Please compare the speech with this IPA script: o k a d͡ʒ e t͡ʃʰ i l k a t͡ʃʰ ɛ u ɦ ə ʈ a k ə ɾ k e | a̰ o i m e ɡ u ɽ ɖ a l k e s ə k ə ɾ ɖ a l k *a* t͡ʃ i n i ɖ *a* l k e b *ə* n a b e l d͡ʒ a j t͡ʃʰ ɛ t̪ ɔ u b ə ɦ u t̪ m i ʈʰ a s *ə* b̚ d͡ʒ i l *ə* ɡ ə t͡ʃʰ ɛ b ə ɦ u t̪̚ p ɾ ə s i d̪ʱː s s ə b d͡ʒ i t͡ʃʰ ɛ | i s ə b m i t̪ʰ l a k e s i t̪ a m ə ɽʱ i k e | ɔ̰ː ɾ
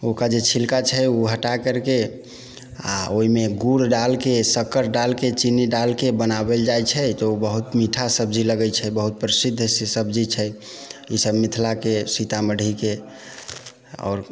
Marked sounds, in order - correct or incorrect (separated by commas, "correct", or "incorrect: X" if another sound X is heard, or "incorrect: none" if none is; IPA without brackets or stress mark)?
incorrect: e, correct, correct, correct, correct